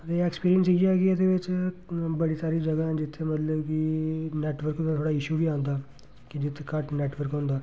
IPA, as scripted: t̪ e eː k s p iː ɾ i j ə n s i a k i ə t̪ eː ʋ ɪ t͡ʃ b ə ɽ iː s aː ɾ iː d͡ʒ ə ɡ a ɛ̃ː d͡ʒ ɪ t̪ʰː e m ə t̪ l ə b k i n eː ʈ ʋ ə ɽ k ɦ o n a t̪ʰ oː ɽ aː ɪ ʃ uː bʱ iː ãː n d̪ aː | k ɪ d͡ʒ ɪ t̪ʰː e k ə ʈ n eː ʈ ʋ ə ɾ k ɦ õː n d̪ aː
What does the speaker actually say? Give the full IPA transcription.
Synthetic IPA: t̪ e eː k s p iː ɾ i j ə n s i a k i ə d̪ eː ʋ ɪ t͡ʃ b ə ɽ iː s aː ɾ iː d͡ʒ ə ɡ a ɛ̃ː d͡ʒ ɪ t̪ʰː e m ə t̪ l ə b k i n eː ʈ ʋ ə ɾ k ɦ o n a t̪ʰ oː ɽ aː ɪ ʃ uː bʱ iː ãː n d̪ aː | k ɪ d͡ʒ ɪ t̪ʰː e k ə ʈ n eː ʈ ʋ ə ɾ k ɦ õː n d̪ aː